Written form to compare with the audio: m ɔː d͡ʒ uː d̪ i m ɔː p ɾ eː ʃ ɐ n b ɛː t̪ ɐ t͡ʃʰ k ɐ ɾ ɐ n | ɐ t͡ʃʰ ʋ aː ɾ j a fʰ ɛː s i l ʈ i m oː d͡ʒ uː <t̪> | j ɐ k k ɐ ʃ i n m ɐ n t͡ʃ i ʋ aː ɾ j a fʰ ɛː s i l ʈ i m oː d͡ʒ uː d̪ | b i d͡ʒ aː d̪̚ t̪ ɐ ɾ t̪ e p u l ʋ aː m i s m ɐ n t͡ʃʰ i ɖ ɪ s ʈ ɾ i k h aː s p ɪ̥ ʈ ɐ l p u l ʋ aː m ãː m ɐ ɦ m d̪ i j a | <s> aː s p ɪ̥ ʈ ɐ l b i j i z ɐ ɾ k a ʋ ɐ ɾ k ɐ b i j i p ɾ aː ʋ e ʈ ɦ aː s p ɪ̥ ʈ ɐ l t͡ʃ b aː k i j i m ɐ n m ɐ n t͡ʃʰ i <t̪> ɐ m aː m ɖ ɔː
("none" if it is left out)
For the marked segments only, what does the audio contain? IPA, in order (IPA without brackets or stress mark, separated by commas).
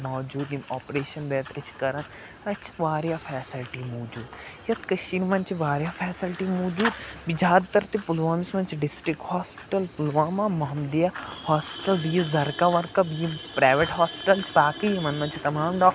d̪, h, t̪